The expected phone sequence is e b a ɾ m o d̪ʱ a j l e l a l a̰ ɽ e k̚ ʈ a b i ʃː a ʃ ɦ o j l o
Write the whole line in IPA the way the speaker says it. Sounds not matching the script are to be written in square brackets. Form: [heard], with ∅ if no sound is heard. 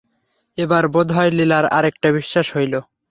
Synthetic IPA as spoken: e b a ɾ [b] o d̪ʱ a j l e l a [ɾ] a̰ [ɾ] e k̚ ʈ a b i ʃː a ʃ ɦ o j l o